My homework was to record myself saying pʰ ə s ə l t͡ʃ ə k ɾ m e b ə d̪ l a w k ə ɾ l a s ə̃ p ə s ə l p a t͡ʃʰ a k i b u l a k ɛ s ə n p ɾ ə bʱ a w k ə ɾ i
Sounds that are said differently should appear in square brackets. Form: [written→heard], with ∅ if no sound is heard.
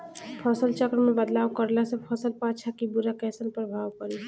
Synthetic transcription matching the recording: pʰ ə s ə l t͡ʃ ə k ɾ m e b ə d̪ l a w k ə ɾ l a s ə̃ [p→pʰ] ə s ə l p a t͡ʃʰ a k i b u [l→ɾ] a k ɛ s ə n p ɾ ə bʱ a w k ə ɾ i